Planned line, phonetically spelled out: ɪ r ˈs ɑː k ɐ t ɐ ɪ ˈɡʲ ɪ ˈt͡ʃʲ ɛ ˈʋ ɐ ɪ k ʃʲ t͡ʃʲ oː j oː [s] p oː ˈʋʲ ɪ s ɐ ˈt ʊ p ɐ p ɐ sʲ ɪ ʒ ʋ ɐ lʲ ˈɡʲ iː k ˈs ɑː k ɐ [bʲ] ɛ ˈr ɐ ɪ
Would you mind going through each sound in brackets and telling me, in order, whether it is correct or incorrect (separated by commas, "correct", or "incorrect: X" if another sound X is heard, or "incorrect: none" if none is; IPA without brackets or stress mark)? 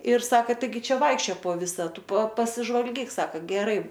incorrect: none, incorrect: ɡʲ